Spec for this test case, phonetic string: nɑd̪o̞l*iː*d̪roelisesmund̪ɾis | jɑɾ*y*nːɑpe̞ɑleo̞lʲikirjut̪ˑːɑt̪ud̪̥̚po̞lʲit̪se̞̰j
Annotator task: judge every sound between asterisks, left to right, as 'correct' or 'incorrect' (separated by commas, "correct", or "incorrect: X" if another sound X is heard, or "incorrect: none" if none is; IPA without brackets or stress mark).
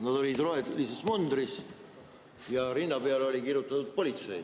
incorrect: i, incorrect: i